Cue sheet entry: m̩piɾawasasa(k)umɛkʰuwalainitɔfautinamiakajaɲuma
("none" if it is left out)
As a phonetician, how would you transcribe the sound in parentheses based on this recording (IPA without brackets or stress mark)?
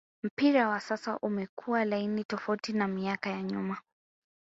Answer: ʔ